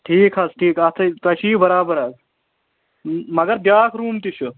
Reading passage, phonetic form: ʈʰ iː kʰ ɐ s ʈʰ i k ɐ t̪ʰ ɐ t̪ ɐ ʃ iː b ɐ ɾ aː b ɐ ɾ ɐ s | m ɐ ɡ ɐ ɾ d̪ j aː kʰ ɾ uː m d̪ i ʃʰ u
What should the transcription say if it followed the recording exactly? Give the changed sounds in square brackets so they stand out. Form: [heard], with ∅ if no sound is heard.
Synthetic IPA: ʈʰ iː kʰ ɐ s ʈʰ [iː] k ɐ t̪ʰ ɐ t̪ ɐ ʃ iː b ɐ ɾ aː b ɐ ɾ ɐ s | m ɐ ɡ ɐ ɾ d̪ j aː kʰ ɾ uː m [t̪] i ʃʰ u